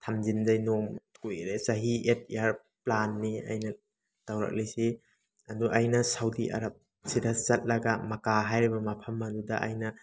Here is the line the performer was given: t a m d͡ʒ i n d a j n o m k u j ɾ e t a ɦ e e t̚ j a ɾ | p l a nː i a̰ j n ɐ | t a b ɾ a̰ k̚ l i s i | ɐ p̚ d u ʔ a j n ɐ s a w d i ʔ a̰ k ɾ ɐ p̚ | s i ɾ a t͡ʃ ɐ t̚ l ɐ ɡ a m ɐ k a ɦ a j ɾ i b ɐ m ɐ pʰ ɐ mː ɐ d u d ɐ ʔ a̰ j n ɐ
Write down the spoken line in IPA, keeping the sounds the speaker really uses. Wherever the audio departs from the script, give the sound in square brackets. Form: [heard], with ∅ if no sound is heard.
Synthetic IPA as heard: [tʰ] a m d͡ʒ i n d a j n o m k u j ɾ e [s] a ɦ [i] e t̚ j a ɾ | p l a nː i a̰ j n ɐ | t a [w] ɾ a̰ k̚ l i s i | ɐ [∅] d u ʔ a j n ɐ s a w d i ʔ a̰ [∅] ɾ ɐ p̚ | s i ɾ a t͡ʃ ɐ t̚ l ɐ ɡ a m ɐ k a ɦ a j ɾ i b ɐ m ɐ pʰ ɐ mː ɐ d u d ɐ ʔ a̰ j n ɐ